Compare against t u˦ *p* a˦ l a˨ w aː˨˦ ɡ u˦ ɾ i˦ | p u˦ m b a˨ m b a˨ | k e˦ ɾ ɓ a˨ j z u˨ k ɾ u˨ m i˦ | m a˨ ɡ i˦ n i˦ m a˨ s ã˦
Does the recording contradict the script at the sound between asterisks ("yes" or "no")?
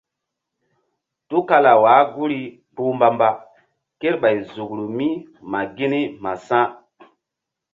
yes